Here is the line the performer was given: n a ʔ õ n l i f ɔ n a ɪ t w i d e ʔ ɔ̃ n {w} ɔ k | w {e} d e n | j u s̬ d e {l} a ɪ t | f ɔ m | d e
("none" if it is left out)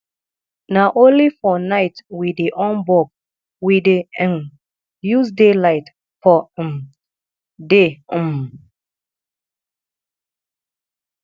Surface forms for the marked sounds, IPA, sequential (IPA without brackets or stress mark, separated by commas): b, i, l